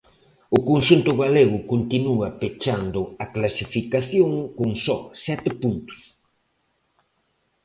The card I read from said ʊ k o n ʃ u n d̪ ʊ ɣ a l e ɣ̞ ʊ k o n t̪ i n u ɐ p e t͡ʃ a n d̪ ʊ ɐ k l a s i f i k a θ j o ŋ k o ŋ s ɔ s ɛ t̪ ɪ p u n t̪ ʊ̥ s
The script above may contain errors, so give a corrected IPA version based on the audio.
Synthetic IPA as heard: ʊ k o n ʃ u n t̪ ʊ ɣ a l e ɣ̞ ʊ k o n t̪ i n u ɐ p e t͡ʃ a n d̪ ʊ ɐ k l a s i f i k a θ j o ŋ k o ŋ s ɔ s ɛ t̪ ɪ p u n t̪ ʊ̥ s

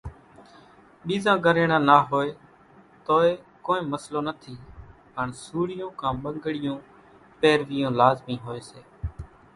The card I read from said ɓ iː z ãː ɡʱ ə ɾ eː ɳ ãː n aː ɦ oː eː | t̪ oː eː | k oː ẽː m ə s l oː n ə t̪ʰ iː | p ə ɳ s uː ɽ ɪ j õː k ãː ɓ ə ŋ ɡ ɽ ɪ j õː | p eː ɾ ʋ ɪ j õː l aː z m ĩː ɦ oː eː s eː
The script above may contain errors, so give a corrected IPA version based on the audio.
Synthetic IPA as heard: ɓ iː z ãː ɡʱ ə ɾ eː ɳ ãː n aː ɦ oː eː | t̪ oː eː | k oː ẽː m ə s l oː n ə t̪ʰ iː | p ə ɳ s uː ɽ ɪ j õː k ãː ɓ ə ŋ ɡ ɽ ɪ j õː | p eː ɾ ʋ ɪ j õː l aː z m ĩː ɦ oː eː s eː

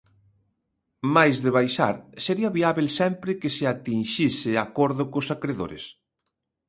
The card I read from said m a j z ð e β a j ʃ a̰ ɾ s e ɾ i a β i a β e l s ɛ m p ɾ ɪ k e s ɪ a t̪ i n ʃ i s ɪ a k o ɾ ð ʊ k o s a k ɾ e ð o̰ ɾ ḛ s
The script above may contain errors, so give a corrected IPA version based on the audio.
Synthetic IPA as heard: m a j z ð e β a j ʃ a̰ ɾ s e ɾ i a β i a β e l s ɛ m p ɾ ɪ k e s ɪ a t̪ i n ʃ i s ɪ a k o ɾ ð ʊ k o s a k ɾ e ð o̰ ɾ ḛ s

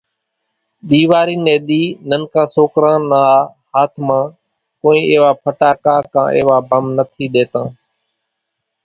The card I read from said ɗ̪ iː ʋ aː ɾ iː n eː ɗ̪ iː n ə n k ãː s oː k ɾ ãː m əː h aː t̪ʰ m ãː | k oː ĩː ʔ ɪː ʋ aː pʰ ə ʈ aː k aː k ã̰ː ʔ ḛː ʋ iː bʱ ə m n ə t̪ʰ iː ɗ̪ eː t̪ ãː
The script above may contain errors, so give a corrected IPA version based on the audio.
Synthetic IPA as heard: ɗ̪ iː ʋ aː ɾ iː n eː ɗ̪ iː n ə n k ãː s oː k ɾ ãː n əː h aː t̪ʰ m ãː | k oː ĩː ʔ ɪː ʋ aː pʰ ə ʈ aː k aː k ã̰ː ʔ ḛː ʋ aː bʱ ə m n ə t̪ʰ iː ɗ̪ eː t̪ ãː

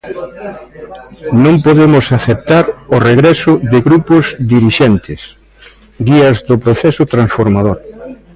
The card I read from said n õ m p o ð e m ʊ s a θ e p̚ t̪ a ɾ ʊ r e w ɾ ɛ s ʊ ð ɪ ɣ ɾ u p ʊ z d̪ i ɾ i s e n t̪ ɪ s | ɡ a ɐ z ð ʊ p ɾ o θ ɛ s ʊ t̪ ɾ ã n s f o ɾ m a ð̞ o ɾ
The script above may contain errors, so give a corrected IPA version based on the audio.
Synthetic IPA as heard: n õ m p o ð e m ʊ s a θ e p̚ t̪ a ɾ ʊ r e ɣ ɾ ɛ s ʊ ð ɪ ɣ ɾ u p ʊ z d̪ i ɾ i ʃ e n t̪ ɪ s | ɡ i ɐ z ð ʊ p ɾ o θ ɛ s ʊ t̪ ɾ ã n s f o ɾ m a ð̞ o ɾ

